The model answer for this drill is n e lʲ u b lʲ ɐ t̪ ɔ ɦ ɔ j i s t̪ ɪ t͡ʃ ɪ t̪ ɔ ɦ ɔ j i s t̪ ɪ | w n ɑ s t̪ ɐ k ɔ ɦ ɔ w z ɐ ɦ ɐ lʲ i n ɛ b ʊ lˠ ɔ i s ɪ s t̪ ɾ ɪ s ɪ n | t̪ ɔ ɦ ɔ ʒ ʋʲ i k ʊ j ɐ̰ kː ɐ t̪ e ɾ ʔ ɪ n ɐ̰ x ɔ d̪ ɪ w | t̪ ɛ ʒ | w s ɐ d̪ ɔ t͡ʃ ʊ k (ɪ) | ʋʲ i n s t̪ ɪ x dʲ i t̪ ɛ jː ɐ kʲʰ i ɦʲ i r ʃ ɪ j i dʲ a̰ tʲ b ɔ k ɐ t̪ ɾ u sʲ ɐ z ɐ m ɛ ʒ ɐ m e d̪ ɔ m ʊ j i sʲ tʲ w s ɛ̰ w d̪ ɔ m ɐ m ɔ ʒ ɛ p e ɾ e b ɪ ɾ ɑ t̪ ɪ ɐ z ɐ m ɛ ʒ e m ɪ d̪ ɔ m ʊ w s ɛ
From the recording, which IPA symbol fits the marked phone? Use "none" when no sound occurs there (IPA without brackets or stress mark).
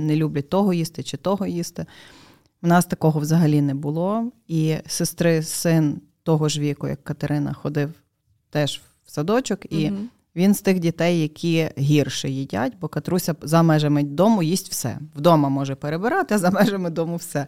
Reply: i